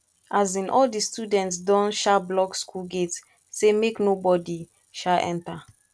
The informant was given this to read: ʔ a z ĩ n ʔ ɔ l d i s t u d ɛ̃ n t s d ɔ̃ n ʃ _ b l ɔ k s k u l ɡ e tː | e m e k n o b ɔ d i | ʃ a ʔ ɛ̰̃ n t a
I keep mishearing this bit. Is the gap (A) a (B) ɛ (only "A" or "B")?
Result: A